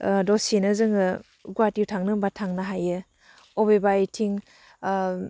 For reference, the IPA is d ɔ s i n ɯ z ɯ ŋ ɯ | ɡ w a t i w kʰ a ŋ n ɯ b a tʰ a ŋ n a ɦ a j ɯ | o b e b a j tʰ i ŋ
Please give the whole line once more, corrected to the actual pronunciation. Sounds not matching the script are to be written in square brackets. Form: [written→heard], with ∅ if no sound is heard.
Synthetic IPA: d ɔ s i n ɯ z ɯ ŋ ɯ | ɡ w a t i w [kʰ→tʰ] a ŋ n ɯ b a tʰ a ŋ n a ɦ a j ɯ | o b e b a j tʰ i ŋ